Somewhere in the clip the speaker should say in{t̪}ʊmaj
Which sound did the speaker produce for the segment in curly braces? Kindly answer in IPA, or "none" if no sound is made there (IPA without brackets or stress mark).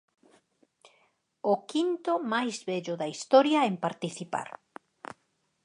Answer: t̪